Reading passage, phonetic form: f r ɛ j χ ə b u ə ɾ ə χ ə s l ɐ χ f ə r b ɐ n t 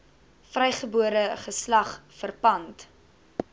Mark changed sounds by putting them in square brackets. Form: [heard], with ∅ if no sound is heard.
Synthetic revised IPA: f r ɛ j χ ə b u ə ɾ ə χ ə s l ɐ χ f ə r [p] ɐ n t